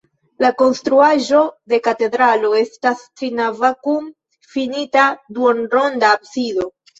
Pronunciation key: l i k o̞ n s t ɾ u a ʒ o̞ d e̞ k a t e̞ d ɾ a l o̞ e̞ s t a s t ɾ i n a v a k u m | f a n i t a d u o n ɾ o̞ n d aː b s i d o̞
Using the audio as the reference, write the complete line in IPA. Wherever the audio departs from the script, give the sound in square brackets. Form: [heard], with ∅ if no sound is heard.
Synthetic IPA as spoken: l [a] k o̞ n s t ɾ u a ʒ o̞ d e̞ k a t e̞ d ɾ a l o̞ e̞ s t a s t ɾ i n a v a k u m | f [i] n i t a d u o n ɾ o̞ n d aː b s i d o̞